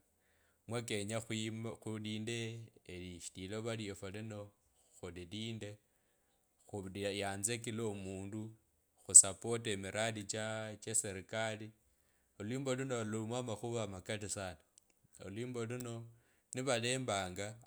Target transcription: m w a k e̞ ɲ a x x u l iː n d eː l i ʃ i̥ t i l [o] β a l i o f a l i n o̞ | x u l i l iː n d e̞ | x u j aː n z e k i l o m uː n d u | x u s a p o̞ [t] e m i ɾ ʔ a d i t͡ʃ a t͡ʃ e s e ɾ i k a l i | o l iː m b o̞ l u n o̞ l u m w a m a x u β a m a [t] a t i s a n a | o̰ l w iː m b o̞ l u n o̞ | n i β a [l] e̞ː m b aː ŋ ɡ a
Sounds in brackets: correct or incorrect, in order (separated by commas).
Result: correct, correct, incorrect, correct